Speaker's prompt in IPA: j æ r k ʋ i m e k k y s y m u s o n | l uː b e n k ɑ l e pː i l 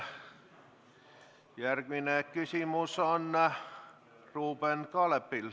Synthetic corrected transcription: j æ r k ʋ i n e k k y s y m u s o n | r uː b e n k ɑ l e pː i l

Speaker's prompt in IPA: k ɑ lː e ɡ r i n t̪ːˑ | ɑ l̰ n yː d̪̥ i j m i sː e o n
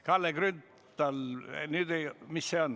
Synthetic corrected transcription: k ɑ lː e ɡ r y n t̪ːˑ | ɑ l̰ n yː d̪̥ e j m i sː e o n

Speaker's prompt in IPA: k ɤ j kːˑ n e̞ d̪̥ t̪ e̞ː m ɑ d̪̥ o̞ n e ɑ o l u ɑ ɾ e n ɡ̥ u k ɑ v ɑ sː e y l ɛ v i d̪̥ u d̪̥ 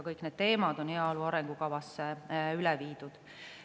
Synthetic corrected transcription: k ɤ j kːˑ n e̞ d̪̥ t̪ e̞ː m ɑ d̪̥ o̞ n e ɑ o l u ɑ ɾ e ŋ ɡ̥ u k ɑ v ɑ sː e y l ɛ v iː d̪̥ u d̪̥

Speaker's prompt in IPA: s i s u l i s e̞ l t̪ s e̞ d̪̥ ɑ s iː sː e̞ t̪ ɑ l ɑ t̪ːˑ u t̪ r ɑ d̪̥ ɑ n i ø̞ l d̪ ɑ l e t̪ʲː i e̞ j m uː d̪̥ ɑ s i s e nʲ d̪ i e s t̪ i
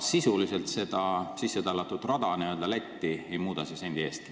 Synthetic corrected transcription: s i s u l i s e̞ l t̪ s e̞ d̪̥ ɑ s i sː e̞ t̪ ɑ l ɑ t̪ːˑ u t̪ r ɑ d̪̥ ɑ n i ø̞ l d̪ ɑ l æ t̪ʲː i e̞ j m uː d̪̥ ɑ s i s e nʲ d̪ i e s t̪ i

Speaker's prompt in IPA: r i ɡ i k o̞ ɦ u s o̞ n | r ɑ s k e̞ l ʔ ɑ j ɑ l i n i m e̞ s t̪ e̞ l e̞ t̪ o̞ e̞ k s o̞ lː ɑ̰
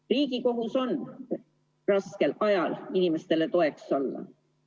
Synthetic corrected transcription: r iː ɡ i k o̞ ɦ u s o̞ n | r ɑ s k e̞ l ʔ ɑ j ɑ l i n i m e̞ s t̪ e̞ l e̞ t̪ o̞ e̞ k s o̞ lː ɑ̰

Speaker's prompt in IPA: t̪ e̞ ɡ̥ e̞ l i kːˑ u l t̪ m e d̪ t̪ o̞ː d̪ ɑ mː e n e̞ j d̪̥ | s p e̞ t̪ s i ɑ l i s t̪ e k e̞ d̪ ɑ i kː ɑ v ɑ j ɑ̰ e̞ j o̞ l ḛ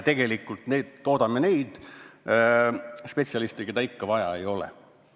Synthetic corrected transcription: t̪ e̞ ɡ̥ e̞ l i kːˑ u l t̪ n e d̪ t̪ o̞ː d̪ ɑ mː e n e̞ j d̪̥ | s p e̞ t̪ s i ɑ l i s t̪ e k e̞ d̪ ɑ i kː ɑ v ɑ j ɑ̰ e̞ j o̞ l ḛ

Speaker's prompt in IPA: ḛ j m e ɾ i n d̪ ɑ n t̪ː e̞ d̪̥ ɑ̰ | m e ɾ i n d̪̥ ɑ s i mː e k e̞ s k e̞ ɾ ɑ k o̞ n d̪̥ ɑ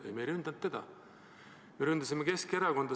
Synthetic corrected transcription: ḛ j m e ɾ y n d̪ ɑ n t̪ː e̞ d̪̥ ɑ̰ | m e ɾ y n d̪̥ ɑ s i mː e k e̞ s k e̞ ɾ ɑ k o̞ n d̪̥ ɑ

